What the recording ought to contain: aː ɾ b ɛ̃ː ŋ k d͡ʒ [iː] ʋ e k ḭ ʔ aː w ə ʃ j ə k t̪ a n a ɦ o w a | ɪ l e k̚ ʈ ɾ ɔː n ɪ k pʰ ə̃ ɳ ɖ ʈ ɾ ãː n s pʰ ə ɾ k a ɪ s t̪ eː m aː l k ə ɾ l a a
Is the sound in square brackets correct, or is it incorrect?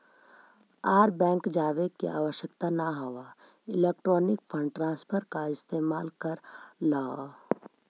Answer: incorrect: aː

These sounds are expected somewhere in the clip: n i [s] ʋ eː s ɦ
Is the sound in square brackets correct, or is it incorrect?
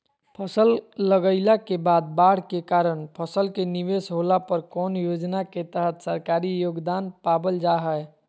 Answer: incorrect: none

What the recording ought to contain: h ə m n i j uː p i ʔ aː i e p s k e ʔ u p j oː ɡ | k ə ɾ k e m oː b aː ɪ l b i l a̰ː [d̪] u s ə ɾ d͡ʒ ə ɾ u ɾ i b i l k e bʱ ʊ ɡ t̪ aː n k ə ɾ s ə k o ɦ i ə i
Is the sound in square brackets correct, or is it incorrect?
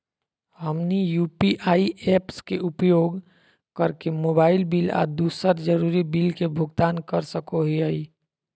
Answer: correct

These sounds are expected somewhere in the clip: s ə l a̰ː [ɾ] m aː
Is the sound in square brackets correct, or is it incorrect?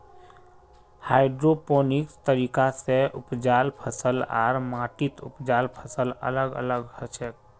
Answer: correct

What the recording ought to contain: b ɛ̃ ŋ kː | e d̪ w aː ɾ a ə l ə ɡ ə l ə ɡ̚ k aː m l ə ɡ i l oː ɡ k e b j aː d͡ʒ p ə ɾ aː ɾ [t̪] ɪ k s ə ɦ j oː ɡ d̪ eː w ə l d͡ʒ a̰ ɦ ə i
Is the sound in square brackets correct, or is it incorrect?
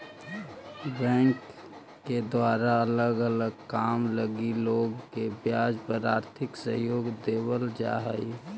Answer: incorrect: t̪ʰ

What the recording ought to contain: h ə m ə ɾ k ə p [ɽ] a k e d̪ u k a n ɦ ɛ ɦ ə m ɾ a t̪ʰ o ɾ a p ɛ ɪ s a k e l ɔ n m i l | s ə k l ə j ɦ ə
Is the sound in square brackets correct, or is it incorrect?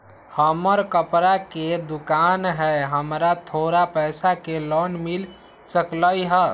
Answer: incorrect: ɾ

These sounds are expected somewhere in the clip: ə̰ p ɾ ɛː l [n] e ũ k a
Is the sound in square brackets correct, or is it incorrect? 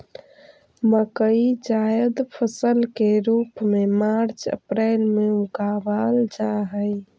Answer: incorrect: m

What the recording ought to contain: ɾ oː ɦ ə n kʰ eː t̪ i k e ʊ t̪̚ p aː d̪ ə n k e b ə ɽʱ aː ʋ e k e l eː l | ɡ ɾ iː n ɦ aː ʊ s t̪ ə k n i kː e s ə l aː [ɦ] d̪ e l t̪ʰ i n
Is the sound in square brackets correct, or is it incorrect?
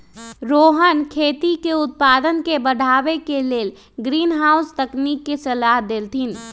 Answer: correct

